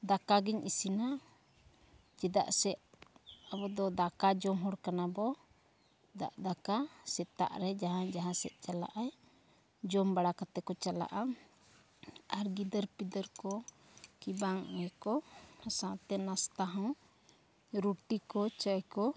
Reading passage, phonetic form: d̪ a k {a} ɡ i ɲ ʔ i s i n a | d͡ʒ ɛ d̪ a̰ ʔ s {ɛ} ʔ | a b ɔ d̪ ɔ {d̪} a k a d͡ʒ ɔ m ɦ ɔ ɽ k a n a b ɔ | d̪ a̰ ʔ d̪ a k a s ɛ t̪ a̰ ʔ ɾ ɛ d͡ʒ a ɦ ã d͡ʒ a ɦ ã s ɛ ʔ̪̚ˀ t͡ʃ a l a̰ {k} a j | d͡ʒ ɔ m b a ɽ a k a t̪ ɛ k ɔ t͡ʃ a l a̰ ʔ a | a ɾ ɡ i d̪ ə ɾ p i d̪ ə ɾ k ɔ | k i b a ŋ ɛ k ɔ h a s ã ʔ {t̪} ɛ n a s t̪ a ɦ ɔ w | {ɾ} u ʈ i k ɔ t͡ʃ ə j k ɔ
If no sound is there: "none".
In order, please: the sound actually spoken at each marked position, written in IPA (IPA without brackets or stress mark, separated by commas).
a, ɛ, d̪, ʔ, t̪, ɾ